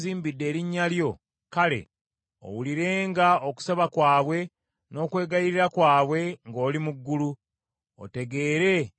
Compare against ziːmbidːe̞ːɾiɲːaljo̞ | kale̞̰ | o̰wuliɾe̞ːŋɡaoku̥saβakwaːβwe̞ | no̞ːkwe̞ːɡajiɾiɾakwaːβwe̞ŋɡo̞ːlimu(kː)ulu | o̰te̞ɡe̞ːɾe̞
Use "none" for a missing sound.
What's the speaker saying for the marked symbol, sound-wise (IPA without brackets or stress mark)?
ɡː